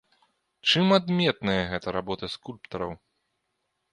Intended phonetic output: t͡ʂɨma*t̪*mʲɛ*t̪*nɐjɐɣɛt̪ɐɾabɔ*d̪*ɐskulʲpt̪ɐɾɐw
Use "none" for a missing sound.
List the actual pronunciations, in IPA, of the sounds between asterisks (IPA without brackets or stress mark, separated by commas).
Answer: d̪, t̪, t̪